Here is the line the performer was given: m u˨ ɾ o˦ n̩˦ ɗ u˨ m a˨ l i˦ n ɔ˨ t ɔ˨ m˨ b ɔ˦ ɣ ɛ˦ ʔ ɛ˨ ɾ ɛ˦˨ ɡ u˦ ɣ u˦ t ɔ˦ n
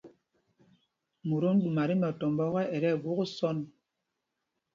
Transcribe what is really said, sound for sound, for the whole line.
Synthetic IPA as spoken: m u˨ ɾ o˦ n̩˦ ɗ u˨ m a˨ ɾ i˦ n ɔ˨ t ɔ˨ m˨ b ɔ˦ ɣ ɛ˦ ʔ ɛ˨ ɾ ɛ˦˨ ɡ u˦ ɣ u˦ s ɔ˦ n